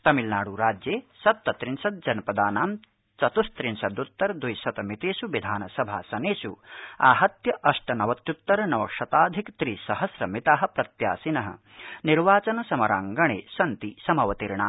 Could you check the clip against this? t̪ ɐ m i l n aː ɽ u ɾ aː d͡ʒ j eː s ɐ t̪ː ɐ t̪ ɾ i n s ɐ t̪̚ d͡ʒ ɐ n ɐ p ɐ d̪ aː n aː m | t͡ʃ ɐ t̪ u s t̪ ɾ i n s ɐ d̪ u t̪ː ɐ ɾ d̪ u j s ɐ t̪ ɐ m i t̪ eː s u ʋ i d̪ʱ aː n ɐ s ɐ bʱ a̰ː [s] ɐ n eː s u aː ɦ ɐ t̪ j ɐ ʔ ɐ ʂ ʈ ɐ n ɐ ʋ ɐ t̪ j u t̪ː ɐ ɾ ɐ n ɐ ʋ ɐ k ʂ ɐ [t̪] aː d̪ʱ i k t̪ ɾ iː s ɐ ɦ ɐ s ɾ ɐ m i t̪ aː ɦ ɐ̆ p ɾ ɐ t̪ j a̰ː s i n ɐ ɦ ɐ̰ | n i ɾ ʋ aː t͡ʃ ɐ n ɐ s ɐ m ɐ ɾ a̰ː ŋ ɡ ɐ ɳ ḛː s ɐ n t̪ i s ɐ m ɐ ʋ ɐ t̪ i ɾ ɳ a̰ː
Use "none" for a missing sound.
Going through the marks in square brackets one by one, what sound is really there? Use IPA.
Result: s, t̪

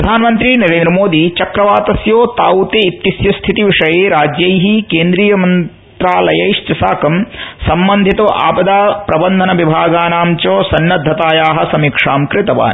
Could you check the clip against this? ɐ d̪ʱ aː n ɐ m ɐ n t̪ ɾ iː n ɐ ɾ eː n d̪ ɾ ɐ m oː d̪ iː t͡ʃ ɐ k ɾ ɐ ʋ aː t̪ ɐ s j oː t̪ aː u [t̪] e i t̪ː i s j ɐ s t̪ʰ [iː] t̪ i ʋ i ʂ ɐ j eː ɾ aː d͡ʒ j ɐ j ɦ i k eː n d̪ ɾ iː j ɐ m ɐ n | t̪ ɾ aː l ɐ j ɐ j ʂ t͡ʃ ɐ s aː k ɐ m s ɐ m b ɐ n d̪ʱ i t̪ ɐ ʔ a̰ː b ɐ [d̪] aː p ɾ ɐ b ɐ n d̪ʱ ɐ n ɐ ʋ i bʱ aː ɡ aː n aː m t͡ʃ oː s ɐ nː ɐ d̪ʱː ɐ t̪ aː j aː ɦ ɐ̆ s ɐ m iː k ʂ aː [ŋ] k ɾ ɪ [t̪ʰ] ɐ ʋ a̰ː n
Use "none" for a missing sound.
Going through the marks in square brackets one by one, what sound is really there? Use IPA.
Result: t̪, i, d̪, m, t̪

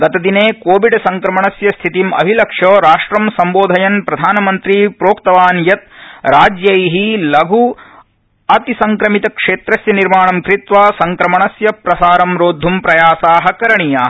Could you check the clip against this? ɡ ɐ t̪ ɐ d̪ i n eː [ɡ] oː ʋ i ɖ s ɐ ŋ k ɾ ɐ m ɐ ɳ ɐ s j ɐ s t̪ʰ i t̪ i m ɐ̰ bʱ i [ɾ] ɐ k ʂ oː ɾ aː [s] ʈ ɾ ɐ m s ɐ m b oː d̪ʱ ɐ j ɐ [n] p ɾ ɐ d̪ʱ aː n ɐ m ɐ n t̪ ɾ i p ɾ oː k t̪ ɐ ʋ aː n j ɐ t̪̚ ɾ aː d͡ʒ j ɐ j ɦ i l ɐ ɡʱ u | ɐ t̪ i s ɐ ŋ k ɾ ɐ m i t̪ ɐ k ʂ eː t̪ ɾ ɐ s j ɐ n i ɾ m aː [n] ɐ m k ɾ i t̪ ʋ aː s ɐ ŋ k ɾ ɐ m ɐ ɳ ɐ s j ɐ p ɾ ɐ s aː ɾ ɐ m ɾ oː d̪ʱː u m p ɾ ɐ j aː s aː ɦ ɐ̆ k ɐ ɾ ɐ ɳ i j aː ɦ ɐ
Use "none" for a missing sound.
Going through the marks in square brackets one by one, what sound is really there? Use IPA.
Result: k, l, ʂ, n, ɳ

